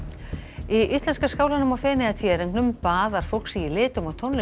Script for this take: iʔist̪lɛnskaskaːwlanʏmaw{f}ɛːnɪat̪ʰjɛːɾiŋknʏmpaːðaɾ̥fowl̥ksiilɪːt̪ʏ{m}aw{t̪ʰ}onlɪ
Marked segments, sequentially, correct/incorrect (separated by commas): correct, correct, correct